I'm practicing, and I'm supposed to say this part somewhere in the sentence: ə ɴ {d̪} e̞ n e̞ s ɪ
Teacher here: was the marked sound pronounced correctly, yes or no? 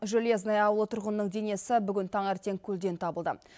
yes